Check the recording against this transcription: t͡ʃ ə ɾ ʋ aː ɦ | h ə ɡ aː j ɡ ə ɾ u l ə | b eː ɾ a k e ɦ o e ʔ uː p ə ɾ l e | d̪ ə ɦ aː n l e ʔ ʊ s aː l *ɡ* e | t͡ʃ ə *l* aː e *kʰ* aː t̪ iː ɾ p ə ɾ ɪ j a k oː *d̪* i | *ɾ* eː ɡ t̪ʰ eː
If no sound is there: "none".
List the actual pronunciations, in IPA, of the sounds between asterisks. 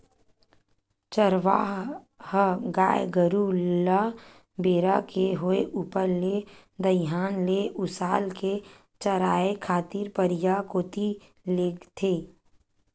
k, ɾ, kʰ, t̪, l

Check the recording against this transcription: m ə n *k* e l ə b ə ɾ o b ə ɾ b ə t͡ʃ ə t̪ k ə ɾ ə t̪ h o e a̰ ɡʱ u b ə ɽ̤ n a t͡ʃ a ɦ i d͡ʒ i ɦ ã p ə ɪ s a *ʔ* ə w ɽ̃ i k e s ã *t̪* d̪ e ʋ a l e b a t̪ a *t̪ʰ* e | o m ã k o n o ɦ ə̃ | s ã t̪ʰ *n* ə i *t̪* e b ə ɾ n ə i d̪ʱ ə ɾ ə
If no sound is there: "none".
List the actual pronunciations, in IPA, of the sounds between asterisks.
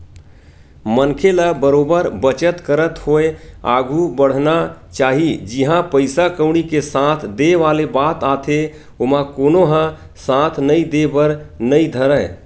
kʰ, k, t̪ʰ, t̪ʰ, n, d̪

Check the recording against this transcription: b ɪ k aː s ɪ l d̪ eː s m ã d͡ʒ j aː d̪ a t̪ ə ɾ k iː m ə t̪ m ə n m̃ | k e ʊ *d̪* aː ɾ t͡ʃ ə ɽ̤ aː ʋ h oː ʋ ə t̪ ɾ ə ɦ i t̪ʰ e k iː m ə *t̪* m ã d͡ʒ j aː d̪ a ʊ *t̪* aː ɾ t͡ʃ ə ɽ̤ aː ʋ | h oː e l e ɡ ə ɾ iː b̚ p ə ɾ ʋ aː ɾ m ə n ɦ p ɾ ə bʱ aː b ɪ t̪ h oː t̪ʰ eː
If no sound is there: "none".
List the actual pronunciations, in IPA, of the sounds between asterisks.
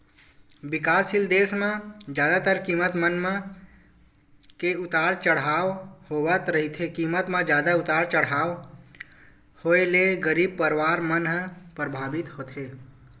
t̪, t̪, t̪

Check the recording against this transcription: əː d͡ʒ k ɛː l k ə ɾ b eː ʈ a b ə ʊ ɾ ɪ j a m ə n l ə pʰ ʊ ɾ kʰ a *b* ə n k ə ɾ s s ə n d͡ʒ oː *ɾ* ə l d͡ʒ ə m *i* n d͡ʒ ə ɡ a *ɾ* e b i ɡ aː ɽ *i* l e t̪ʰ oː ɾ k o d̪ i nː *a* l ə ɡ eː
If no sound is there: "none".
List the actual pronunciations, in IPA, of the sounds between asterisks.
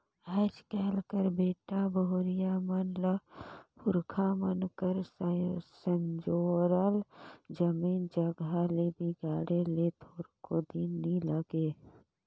m, ɾ, iː, l, e, i

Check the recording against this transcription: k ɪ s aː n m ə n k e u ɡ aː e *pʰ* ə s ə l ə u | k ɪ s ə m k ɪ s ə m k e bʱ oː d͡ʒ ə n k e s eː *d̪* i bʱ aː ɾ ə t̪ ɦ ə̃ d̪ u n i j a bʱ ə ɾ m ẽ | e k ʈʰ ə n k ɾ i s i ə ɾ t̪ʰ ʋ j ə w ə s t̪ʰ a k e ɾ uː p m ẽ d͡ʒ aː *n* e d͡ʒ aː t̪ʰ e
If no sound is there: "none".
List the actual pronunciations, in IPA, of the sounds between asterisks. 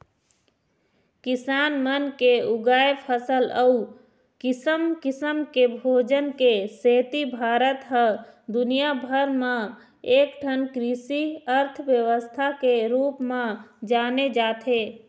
pʰ, t̪, n

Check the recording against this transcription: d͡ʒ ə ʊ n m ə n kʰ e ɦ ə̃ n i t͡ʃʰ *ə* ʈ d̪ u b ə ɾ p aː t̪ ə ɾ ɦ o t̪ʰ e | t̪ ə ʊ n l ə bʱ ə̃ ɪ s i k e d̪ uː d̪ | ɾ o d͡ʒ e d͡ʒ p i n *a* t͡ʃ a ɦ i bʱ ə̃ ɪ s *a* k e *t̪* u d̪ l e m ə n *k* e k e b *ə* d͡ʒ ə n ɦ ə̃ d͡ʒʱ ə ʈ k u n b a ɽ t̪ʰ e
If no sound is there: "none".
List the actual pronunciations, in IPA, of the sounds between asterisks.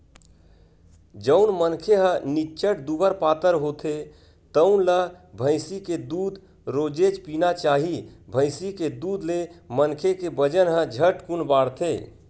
ə, a, i, d̪, kʰ, ə

